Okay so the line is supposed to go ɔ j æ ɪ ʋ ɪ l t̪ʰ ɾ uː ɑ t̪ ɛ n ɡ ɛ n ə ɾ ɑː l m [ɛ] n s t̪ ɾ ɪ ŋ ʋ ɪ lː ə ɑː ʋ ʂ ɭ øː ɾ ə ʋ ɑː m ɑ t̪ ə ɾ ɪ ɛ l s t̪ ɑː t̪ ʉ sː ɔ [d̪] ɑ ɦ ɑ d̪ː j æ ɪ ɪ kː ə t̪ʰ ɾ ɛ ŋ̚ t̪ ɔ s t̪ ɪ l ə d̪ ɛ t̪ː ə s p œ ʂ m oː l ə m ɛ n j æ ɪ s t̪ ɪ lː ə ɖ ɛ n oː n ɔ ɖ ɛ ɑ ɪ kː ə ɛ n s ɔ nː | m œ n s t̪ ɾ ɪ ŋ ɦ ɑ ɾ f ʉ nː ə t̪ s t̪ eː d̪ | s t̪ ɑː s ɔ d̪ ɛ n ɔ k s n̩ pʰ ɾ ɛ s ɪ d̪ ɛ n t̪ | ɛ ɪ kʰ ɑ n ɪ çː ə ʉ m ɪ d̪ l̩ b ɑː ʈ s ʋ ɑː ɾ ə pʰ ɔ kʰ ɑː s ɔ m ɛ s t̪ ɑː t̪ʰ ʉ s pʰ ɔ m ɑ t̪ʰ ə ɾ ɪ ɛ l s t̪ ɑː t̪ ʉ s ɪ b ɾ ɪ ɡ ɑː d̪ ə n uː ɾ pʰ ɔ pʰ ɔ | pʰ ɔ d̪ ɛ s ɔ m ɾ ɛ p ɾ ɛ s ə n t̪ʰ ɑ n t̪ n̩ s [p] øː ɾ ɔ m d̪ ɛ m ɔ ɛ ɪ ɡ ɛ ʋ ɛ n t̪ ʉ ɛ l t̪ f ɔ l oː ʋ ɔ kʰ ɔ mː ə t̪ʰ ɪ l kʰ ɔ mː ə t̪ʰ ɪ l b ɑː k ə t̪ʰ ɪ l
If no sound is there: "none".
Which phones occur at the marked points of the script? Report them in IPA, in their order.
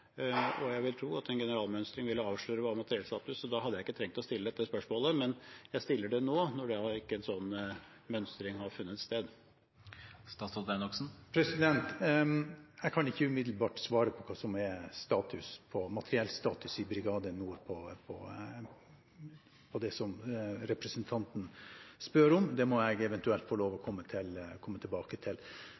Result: œ, d̪, p

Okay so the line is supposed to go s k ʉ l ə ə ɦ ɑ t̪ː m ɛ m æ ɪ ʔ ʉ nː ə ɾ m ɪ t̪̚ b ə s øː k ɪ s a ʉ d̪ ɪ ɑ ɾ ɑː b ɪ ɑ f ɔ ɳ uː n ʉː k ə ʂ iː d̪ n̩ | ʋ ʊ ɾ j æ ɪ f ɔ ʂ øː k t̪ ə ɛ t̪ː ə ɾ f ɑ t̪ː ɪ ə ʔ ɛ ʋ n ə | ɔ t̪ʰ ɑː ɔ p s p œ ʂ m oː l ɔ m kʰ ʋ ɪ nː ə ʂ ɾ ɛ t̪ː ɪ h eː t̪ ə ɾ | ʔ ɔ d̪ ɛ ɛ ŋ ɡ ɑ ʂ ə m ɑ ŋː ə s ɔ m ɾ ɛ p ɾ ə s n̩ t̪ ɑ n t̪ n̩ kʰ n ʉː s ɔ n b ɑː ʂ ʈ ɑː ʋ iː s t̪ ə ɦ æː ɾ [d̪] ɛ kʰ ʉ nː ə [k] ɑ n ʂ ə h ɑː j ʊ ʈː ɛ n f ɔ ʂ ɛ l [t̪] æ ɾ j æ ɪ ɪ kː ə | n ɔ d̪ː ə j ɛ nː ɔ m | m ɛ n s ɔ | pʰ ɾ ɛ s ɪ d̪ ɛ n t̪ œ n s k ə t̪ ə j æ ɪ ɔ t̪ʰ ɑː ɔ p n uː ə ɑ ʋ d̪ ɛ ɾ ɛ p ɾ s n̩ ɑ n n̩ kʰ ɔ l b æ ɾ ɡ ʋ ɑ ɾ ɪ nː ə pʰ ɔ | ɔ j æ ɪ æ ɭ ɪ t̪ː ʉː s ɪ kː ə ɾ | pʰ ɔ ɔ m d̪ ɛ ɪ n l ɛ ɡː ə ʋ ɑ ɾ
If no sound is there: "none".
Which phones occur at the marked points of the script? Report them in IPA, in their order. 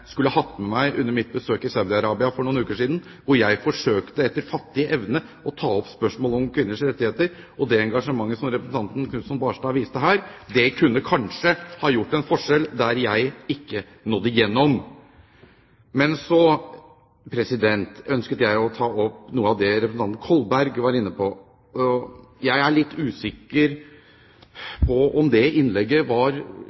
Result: d̪, kʰ, d̪

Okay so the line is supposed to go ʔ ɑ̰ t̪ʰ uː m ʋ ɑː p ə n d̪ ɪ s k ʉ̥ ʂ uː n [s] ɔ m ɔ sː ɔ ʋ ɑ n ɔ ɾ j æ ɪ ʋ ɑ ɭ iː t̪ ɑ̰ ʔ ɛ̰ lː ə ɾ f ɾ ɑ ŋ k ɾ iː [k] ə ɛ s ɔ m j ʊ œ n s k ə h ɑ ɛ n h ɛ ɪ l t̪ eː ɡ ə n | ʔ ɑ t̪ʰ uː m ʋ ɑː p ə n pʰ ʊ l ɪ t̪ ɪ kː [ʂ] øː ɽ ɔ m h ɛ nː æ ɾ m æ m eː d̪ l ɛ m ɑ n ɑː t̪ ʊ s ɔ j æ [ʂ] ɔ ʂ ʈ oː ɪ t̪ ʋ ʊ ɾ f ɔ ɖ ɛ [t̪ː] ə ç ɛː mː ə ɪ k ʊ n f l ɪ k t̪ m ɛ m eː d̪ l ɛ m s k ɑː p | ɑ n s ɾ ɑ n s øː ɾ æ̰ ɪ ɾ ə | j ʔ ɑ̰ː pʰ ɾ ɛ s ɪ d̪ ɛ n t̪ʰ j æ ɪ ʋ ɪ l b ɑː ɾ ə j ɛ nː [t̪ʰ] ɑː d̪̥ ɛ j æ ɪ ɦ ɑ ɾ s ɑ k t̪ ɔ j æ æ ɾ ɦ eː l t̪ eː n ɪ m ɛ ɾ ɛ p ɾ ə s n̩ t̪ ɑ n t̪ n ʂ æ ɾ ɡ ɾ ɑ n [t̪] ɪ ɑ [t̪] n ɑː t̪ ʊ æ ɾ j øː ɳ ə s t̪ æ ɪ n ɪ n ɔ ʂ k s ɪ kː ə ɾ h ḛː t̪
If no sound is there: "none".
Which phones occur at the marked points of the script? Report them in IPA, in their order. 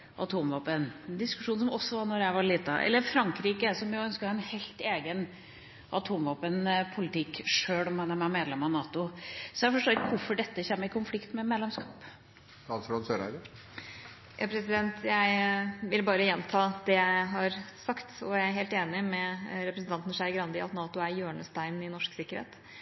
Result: s, k, ʂ, f, t̪ː, t̪ʰ, d̪, t̪

